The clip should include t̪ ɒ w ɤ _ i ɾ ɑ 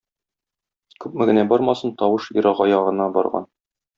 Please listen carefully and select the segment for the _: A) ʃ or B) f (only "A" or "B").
A